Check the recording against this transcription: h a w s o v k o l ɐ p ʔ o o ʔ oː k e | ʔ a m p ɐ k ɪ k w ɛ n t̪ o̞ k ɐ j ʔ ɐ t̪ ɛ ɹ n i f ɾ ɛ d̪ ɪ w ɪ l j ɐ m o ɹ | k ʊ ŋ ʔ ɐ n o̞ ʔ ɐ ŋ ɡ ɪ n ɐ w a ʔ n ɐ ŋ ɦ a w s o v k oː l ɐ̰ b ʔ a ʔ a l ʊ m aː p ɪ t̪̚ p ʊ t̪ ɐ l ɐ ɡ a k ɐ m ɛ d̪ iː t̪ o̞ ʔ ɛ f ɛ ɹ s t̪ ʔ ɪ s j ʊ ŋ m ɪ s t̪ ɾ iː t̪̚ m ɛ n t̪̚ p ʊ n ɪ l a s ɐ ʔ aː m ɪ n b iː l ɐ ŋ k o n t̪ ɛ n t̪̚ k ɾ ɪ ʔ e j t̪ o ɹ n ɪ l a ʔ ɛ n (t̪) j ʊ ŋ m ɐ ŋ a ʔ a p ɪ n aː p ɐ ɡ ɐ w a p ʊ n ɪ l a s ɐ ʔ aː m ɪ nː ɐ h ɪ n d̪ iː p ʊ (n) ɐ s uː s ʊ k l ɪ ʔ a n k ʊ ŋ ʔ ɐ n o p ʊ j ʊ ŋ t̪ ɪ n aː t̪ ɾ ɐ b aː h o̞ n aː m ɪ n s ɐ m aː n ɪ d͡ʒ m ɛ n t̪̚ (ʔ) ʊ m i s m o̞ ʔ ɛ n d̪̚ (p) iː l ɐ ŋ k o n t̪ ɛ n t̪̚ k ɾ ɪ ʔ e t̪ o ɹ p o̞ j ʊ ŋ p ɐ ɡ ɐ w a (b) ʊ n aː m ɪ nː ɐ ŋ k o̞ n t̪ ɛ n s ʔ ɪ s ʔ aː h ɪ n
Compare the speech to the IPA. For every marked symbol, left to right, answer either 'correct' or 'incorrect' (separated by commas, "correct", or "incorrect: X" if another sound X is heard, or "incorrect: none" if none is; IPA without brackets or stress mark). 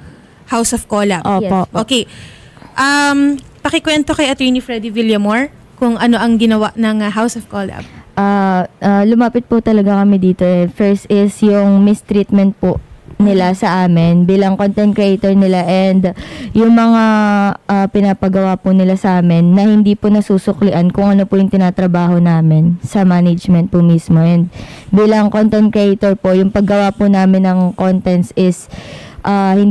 incorrect: d̪, correct, incorrect: p, incorrect: b, incorrect: p